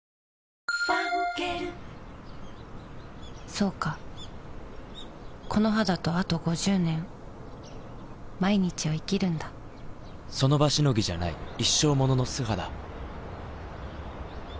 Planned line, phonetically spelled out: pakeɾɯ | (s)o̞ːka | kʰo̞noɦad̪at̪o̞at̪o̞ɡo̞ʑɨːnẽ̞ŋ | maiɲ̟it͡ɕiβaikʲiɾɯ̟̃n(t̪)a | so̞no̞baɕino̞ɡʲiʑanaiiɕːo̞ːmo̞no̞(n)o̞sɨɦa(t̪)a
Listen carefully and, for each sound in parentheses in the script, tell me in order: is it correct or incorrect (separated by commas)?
correct, incorrect, correct, incorrect